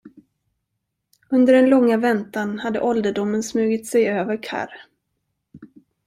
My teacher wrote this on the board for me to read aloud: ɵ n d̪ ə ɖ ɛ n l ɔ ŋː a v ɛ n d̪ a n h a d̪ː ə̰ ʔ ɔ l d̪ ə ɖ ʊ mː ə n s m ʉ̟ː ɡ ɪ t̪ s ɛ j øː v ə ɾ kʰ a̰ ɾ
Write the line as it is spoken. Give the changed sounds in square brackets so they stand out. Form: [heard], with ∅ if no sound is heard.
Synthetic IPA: ɵ n d̪ ə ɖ ɛ n l ɔ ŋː a v ɛ n [t̪] a n h a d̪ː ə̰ ʔ ɔ l d̪ ə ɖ ʊ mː ə n s m ʉ̟ː ɡ ɪ t̪ s ɛ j øː v ə ɾ kʰ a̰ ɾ